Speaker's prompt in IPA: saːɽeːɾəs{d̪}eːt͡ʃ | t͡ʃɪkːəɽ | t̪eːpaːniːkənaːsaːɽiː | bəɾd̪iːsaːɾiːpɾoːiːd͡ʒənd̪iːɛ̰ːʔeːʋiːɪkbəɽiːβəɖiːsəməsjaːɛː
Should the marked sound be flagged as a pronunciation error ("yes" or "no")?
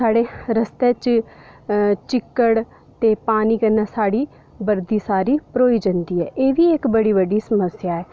yes